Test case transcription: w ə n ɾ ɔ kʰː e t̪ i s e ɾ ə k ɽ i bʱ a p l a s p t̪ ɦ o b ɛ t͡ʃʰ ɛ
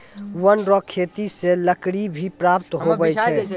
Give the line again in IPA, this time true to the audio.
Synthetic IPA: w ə n ɾ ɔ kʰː e t̪ i s e l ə k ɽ i bʱ i p ɾ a p t̪ ɦ o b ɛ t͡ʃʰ ɛ